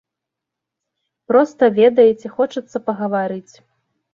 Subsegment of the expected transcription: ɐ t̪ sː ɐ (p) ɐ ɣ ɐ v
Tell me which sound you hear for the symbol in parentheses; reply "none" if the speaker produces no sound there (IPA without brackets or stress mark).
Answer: p